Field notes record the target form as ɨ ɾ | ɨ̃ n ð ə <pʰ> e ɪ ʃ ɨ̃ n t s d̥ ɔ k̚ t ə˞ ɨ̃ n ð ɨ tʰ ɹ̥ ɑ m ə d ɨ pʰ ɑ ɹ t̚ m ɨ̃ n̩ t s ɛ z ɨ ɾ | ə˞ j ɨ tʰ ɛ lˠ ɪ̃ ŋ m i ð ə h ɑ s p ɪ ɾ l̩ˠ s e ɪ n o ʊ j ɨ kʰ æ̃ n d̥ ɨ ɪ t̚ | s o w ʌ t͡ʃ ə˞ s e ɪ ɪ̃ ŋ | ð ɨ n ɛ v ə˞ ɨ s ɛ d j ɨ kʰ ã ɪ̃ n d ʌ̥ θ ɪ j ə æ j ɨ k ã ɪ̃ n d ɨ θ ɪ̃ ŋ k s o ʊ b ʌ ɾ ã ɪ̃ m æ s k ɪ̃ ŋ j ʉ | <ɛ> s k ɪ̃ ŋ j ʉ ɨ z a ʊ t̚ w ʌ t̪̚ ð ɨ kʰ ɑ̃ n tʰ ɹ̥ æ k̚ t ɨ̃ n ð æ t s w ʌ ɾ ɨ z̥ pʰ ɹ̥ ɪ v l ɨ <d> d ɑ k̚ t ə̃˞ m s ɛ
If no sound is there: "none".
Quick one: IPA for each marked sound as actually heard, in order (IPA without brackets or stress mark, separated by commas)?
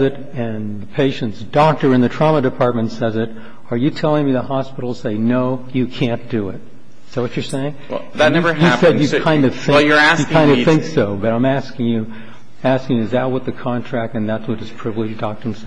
pʰ, æ, d͡ʒ